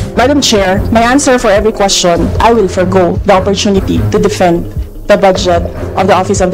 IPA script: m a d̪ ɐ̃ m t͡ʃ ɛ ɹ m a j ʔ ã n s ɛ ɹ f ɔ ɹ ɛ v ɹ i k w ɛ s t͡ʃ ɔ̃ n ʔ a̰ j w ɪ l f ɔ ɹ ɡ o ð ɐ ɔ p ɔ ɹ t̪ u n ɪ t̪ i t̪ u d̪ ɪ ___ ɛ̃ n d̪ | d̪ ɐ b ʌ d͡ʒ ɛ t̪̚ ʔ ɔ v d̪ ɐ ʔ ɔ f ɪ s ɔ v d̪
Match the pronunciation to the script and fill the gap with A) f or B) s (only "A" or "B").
A